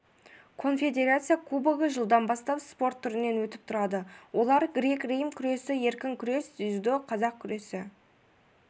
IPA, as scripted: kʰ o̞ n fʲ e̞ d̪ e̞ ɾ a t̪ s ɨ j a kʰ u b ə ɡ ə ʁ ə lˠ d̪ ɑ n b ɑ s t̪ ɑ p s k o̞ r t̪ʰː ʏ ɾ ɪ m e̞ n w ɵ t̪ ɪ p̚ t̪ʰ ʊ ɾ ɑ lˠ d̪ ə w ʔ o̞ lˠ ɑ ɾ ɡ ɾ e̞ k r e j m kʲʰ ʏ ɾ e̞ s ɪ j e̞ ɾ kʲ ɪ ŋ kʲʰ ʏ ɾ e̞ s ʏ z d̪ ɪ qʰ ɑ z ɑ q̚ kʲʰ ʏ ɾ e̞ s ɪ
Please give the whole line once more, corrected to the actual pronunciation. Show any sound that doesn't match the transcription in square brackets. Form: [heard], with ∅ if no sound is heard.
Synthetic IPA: kʰ o̞ n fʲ e̞ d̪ e̞ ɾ a t̪ s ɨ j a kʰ u b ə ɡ ə [ʒ] ə lˠ d̪ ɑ n b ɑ s t̪ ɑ p s [p] o̞ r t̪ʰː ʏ ɾ ɪ [n] e̞ n w ɵ t̪ ɪ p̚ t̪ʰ ʊ ɾ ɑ [∅] d̪ ə w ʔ o̞ lˠ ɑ ɾ ɡ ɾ e̞ k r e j m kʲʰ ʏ ɾ e̞ s ɪ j e̞ ɾ kʲ ɪ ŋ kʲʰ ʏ ɾ e̞ s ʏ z d̪ ɪ qʰ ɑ z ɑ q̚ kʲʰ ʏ ɾ e̞ s ɪ